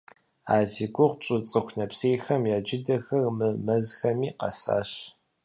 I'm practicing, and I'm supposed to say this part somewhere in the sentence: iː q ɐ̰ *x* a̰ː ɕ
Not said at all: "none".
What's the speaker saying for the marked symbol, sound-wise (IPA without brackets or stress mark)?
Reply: s